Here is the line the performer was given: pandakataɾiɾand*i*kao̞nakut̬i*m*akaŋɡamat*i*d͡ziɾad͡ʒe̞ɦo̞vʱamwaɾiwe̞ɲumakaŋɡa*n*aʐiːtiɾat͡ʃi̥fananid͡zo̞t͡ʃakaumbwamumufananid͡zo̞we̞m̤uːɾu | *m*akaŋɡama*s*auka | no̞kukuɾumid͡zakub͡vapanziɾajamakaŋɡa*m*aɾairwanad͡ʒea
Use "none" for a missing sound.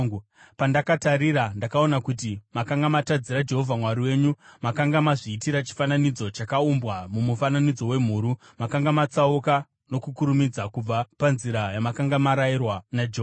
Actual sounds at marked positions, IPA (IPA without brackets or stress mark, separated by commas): a, m, a, m, m, t͡s, m